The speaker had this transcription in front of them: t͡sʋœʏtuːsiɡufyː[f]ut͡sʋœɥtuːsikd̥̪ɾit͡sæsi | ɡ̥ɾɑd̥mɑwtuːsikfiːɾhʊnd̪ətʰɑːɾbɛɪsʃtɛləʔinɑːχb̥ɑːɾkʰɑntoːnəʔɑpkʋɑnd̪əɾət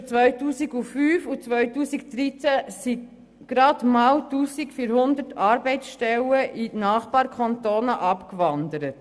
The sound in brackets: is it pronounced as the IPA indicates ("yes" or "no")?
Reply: yes